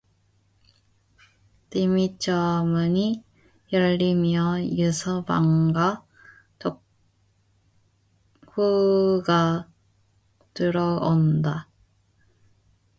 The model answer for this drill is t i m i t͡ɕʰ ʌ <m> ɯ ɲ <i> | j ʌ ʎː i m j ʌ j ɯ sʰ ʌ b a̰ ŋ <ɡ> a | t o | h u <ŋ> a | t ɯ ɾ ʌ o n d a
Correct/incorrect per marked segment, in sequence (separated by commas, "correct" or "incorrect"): correct, correct, correct, incorrect